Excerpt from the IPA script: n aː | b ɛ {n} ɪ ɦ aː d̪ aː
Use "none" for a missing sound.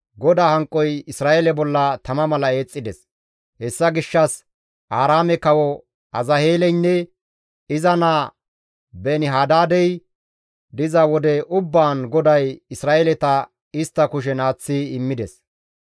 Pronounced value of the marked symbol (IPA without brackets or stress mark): n